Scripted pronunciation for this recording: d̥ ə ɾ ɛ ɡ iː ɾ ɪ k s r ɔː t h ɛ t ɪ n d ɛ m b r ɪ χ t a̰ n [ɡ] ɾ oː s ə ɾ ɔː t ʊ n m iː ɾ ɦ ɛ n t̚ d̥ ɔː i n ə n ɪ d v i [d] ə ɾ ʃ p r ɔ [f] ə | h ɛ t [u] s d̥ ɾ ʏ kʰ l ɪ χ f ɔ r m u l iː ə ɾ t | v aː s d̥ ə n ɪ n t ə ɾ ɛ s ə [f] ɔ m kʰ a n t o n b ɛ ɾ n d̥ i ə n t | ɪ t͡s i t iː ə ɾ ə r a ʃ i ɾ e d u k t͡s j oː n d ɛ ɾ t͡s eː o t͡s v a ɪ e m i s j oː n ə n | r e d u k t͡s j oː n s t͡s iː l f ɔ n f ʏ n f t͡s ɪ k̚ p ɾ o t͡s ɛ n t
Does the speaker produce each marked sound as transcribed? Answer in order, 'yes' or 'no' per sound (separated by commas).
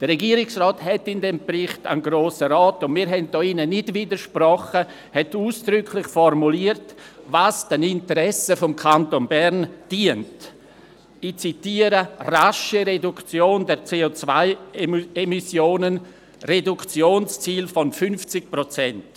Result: yes, yes, no, no, yes